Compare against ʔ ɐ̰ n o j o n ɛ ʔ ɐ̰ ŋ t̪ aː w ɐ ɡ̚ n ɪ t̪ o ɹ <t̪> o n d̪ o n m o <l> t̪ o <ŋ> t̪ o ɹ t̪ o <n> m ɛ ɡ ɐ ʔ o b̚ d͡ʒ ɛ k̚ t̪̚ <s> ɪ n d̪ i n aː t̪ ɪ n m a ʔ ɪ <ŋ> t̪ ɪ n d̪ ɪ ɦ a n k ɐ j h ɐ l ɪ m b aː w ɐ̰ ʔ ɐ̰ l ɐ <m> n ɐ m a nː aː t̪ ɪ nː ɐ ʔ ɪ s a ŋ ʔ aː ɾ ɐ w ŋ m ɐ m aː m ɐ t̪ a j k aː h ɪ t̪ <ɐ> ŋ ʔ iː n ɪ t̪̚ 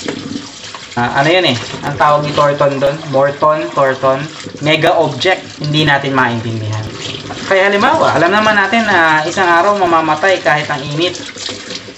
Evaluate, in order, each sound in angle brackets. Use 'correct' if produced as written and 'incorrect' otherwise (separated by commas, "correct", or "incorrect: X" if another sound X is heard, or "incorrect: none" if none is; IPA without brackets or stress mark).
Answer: correct, incorrect: ɹ, incorrect: n, correct, incorrect: h, incorrect: n, correct, correct